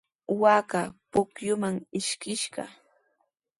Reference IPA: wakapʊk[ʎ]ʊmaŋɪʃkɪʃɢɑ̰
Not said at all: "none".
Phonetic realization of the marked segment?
j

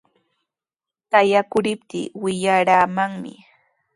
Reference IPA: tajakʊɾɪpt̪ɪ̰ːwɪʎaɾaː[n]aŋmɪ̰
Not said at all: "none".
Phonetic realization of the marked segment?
m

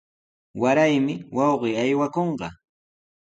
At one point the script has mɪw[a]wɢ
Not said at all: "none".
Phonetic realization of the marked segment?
ɑ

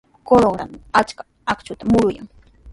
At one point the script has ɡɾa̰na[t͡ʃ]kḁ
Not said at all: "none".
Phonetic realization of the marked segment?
t͡ʃ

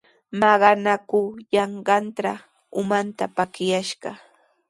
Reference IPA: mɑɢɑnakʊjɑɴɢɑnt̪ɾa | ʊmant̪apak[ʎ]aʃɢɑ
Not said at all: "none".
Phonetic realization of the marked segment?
j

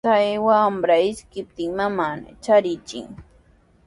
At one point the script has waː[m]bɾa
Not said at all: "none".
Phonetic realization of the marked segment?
m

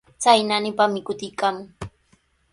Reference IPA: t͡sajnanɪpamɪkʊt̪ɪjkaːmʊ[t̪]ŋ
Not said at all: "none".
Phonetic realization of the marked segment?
none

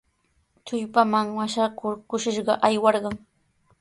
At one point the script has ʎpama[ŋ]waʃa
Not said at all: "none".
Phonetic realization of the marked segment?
ŋ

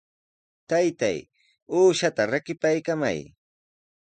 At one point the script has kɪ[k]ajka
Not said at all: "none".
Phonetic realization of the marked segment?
p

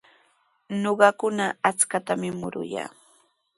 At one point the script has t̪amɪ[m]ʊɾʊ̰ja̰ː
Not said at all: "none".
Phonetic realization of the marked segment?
m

